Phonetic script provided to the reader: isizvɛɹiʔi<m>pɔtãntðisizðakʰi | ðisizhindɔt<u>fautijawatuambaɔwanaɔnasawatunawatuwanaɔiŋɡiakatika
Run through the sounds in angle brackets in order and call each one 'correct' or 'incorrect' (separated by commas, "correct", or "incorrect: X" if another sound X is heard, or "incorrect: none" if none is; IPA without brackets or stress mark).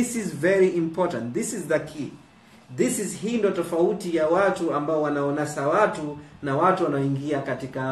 correct, incorrect: ɔ